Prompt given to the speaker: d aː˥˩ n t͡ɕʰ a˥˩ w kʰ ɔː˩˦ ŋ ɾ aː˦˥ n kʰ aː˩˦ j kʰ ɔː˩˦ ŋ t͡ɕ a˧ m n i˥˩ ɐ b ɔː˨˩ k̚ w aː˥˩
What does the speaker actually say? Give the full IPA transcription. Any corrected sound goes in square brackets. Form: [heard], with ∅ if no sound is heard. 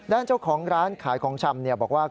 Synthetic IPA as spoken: d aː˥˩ n [t͡ɕ] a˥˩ w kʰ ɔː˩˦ ŋ ɾ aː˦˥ n kʰ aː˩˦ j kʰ ɔː˩˦ ŋ [t͡ɕʰ] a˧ m n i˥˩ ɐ b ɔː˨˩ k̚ w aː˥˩